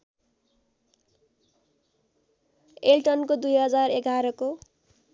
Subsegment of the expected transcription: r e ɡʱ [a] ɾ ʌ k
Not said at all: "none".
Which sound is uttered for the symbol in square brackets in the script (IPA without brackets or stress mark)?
a